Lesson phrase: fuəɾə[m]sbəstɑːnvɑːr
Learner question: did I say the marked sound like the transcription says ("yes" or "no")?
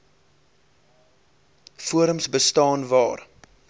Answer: yes